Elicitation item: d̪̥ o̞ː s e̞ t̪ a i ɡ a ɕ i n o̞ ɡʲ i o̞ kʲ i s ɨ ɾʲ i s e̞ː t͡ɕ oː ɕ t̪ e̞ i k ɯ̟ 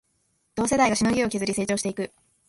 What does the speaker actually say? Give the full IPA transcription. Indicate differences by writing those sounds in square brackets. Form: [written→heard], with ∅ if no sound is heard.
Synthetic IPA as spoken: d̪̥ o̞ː s e̞ [t̪→d̪] a i ɡ a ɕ i n o̞ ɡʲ i o̞ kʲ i [s→z] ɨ ɾʲ i s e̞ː t͡ɕ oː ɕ t̪ e̞ i k ɯ̟